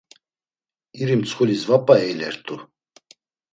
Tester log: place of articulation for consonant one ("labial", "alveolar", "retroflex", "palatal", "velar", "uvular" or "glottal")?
alveolar